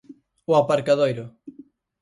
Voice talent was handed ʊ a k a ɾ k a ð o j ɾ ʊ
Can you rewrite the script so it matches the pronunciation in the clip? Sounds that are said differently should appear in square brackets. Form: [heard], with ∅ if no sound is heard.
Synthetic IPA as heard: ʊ a [p] a ɾ k a ð o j ɾ ʊ